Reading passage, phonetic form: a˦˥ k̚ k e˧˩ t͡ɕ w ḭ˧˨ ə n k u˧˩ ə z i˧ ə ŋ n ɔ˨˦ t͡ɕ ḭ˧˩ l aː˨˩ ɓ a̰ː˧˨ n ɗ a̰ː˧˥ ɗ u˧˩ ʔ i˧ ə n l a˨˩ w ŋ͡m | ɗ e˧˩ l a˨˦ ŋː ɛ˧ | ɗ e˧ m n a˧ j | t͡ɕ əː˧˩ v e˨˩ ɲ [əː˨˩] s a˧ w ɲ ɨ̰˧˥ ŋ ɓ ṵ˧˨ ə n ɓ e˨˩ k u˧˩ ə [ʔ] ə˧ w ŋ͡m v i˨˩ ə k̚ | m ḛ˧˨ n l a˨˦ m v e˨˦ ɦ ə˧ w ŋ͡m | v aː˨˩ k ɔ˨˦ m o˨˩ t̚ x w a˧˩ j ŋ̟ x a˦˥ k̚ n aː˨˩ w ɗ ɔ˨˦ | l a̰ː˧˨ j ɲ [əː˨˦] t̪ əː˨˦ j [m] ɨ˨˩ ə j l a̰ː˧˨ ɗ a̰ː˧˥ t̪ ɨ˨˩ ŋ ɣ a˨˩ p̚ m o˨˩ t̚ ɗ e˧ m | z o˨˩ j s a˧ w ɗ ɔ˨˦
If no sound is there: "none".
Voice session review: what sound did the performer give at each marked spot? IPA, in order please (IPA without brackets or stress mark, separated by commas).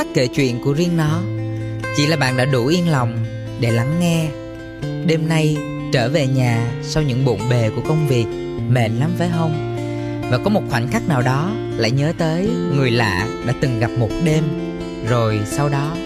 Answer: aː˨˩, k, əː˨˦, ŋ